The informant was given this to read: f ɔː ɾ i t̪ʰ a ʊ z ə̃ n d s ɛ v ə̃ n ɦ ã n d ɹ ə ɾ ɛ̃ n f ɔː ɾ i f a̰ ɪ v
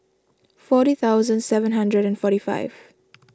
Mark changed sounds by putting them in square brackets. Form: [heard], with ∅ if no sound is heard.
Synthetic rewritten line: f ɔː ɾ i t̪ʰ a ʊ z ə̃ n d s ɛ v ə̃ n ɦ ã n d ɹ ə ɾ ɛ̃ n f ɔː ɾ i f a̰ ɪ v